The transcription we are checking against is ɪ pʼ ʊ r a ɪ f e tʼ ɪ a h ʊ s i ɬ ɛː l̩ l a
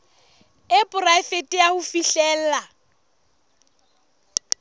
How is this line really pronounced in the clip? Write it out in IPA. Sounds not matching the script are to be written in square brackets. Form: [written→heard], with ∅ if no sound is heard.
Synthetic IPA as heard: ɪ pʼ ʊ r a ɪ f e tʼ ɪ a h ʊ [s→f] i ɬ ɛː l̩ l a